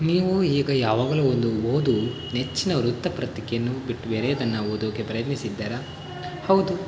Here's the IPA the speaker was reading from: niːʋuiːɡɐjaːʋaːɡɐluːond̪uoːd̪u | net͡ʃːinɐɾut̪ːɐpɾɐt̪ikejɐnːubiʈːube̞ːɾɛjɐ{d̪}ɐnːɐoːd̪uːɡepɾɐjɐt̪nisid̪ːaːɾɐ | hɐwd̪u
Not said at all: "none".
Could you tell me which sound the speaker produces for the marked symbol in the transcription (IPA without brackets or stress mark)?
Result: d̪